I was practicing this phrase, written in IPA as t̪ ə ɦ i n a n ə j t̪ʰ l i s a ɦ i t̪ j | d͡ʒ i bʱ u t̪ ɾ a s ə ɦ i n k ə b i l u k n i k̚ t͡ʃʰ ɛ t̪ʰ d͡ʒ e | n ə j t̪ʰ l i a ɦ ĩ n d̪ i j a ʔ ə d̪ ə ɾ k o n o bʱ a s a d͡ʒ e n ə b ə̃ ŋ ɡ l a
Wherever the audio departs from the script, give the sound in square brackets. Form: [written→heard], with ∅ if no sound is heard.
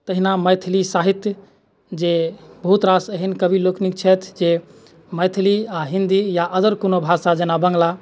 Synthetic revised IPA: t̪ ə ɦ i n a [n→m] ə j t̪ʰ l i s a ɦ i t̪ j | d͡ʒ [i→e] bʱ u t̪ ɾ a s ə ɦ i n k ə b i l [u→o] k n i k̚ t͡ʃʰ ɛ t̪ʰ d͡ʒ e | [n→m] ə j t̪ʰ l i a ɦ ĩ n d̪ i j a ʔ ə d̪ ə ɾ k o n o bʱ a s a d͡ʒ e n [ə→a] b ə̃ ŋ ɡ l a